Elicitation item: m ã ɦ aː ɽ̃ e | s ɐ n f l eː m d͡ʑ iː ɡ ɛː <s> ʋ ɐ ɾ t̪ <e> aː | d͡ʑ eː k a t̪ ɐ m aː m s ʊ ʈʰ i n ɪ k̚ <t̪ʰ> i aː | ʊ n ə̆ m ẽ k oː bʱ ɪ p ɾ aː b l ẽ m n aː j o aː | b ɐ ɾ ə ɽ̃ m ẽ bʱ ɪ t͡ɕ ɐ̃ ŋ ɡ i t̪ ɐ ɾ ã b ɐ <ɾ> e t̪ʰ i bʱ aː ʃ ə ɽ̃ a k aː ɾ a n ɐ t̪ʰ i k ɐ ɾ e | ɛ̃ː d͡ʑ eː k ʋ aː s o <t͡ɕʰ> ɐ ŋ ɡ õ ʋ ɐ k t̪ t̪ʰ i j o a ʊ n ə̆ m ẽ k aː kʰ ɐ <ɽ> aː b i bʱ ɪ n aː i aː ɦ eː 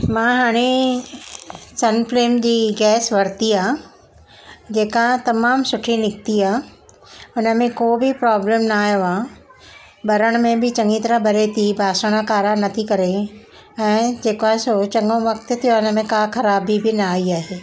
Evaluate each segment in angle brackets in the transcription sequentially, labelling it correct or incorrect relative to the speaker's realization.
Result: correct, incorrect: i, incorrect: t̪, correct, incorrect: t͡ɕ, incorrect: ɾ

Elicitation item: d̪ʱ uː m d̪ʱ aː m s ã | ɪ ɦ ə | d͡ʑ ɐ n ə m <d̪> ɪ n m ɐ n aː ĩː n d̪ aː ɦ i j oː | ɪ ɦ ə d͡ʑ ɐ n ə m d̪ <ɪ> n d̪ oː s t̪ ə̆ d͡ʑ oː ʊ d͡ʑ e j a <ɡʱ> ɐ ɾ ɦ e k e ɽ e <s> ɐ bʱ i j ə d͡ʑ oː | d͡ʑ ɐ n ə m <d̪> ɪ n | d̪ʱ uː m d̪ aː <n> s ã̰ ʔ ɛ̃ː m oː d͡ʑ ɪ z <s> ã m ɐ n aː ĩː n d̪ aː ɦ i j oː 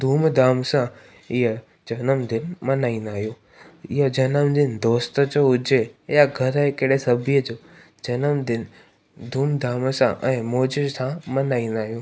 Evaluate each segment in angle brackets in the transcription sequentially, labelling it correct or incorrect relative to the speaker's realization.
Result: correct, correct, correct, correct, correct, incorrect: m, correct

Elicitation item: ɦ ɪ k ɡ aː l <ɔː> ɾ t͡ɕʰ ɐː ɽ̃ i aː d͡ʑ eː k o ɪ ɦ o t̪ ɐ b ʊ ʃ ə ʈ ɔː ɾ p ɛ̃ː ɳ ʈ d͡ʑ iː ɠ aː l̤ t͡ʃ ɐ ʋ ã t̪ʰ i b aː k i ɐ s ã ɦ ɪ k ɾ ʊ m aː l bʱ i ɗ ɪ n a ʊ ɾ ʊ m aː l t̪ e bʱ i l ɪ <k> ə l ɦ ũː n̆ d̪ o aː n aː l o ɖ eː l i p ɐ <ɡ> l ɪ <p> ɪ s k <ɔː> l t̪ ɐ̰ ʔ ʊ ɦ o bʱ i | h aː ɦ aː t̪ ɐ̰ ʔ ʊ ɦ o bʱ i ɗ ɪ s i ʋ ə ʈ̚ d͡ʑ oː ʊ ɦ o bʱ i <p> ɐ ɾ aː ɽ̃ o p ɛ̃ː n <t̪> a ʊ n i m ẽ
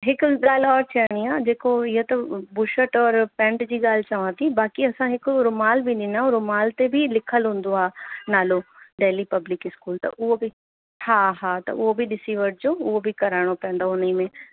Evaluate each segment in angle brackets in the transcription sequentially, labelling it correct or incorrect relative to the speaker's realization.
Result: correct, incorrect: kʰ, incorrect: b, incorrect: k, incorrect: uː, incorrect: k, incorrect: d̪

